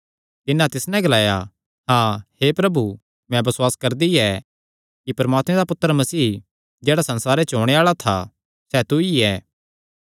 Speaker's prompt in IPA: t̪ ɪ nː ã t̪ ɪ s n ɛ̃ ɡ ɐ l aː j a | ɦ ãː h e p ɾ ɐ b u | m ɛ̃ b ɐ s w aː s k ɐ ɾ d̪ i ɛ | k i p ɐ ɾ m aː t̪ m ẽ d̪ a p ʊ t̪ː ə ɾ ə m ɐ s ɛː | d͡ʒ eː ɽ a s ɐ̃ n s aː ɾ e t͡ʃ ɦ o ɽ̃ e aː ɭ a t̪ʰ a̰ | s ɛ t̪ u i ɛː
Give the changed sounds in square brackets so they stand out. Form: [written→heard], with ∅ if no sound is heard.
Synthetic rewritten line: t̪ ɪ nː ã t̪ ɪ s n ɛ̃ ɡ ɐ l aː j a | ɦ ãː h e p ɾ ɐ b u | m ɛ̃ b ɐ s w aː s k ɐ ɾ d̪ i ɛ | k i p ɐ ɾ m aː t̪ m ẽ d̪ a p ʊ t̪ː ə ɾ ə m ɐ s [ɛː→iː] | d͡ʒ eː ɽ a s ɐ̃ n s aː ɾ e t͡ʃ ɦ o ɽ̃ e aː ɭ a t̪ʰ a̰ | s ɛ t̪ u i ɛː

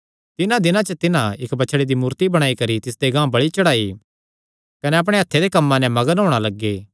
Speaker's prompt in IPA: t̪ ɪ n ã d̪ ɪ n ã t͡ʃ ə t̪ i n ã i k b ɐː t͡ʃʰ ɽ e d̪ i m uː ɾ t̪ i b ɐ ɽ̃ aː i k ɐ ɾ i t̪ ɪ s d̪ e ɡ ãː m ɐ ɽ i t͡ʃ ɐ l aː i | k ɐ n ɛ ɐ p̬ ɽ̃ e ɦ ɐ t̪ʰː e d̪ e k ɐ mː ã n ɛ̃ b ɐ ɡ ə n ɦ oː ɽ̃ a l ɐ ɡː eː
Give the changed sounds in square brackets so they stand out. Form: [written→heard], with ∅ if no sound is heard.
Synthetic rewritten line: t̪ ɪ n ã d̪ ɪ n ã t͡ʃ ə t̪ [i→ɪ] n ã [i→ɪ] k b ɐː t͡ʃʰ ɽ e d̪ i m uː ɾ t̪ i b ɐ ɽ̃ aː i k ɐ ɾ i t̪ ɪ s d̪ e ɡ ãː [m→b] ɐ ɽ i t͡ʃ ɐ [l→ɽ] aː i | k ɐ n ɛ ɐ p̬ ɽ̃ e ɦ ɐ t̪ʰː e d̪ e k ɐ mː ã n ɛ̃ [b→m] ɐ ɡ ə n ɦ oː ɽ̃ a l ɐ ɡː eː

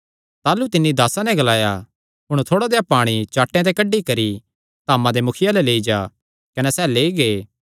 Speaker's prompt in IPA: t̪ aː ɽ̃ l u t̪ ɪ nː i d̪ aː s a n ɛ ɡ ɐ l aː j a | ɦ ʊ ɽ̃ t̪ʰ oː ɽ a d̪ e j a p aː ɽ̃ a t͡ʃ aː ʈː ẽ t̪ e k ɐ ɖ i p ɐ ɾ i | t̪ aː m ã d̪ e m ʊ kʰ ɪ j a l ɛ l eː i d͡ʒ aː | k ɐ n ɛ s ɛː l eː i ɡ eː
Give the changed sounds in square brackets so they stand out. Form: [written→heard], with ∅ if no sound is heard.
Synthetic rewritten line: t̪ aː [ɽ̃→∅] l u t̪ ɪ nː i d̪ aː s a n ɛ ɡ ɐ l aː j a | ɦ ʊ ɽ̃ t̪ʰ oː ɽ a d̪ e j a p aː ɽ̃ [a→i] t͡ʃ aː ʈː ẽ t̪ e k ɐ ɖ i [p→k] ɐ ɾ i | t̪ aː m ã d̪ e m ʊ kʰ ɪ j a l ɛ l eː i d͡ʒ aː | k ɐ n ɛ s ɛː l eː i ɡ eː

